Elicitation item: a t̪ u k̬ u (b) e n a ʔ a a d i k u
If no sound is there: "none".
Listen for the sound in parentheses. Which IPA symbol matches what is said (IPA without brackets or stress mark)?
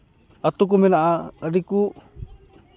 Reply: m